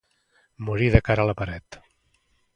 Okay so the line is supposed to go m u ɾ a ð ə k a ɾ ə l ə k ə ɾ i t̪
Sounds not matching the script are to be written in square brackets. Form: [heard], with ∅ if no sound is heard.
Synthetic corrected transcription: m u ɾ [i] ð ə k a ɾ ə l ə [p] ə ɾ [ɛ] t̪